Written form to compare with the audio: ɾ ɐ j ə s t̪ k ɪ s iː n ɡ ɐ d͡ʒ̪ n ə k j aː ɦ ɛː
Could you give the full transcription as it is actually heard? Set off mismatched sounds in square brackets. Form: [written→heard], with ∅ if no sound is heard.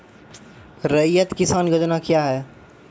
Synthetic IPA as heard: ɾ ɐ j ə [s→∅] t̪ k ɪ s [iː→aː] n ɡ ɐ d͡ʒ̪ n [ə→a] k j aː ɦ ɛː